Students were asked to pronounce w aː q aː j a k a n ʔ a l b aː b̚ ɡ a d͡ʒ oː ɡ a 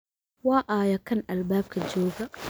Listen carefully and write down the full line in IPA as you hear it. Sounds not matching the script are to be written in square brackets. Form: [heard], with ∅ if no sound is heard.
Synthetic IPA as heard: w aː [ʔ] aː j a k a n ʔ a l b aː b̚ [k] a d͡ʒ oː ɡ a